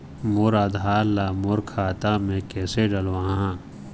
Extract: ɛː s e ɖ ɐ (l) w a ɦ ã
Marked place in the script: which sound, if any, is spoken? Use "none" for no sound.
l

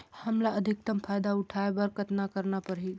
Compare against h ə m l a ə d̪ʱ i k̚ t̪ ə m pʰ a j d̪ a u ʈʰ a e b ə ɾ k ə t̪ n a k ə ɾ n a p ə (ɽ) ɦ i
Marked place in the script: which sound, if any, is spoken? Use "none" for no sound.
ɾ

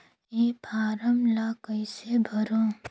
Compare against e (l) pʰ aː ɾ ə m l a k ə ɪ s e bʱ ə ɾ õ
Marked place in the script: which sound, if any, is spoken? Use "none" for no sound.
none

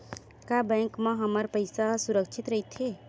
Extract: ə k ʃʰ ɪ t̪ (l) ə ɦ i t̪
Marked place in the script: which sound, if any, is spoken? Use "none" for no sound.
ɾ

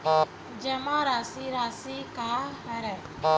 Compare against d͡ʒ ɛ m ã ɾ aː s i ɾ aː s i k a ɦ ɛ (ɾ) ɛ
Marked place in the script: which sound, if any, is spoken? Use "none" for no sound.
ɾ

